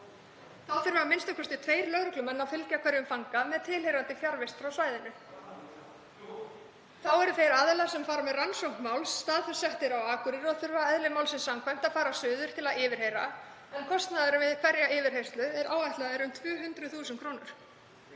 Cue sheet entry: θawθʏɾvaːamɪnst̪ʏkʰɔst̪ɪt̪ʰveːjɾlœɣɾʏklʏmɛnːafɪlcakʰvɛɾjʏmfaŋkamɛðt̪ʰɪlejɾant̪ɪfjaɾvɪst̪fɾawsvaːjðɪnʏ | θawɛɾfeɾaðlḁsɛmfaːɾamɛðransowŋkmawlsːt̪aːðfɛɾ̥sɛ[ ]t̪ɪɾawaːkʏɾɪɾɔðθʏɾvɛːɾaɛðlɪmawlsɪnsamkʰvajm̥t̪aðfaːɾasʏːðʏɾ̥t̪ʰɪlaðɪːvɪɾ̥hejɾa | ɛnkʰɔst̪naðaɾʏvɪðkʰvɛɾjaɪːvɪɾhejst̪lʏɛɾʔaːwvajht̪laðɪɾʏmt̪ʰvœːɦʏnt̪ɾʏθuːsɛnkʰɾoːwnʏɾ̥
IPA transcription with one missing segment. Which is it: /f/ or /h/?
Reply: h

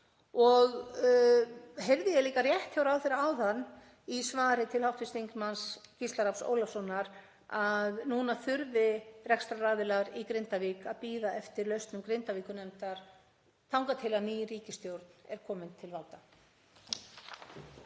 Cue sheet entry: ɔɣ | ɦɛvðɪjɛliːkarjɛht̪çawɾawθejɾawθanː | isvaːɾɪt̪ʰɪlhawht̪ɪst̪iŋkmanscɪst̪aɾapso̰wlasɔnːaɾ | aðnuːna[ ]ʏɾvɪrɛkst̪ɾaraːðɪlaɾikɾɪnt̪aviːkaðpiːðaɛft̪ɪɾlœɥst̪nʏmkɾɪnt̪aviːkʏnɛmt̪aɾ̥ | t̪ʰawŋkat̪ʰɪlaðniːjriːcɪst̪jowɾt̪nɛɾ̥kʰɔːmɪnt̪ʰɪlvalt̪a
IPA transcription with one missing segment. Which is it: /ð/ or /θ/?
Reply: θ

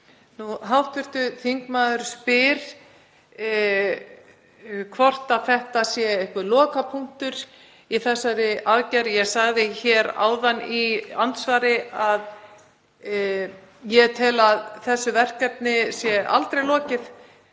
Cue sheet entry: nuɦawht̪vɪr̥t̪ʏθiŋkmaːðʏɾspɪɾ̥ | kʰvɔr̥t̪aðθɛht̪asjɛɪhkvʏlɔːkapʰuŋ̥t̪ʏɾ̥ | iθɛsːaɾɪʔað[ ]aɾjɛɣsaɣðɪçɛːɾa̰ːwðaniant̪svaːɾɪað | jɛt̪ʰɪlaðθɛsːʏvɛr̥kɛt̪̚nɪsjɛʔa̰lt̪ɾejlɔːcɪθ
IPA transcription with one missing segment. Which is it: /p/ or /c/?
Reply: c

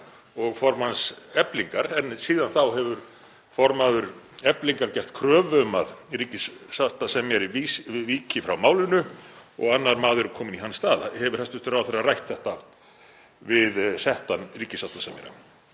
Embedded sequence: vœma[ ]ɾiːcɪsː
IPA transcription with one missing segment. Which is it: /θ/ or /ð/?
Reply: ð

